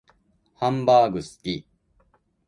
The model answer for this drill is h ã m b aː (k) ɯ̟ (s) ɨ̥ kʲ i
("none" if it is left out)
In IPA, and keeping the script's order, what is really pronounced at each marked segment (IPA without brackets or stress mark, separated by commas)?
ɡ, s